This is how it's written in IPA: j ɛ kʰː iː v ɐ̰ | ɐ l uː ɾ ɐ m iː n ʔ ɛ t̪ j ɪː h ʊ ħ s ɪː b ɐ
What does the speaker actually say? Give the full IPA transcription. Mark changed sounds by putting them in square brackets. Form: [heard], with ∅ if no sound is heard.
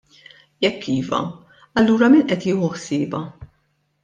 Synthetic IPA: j ɛ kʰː iː v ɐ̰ | ɐ [lː] uː ɾ ɐ m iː n ʔ ɛ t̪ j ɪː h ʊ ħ s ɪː b ɐ